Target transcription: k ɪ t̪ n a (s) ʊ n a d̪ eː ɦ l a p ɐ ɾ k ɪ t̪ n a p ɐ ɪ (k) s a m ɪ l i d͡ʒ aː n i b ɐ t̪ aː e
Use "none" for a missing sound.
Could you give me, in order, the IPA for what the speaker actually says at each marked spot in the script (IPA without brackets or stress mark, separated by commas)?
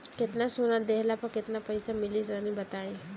s, none